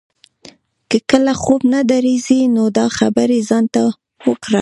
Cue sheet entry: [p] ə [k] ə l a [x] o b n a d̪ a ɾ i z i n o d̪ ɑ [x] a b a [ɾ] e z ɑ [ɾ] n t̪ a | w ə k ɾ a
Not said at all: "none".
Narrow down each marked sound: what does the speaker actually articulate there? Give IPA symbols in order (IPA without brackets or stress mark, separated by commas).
k, k, x, x, ɾ, none